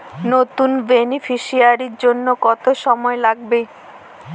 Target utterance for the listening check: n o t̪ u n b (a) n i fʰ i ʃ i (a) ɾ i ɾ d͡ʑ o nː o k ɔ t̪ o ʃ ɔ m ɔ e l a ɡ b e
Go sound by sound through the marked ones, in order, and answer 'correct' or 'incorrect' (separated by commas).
incorrect, correct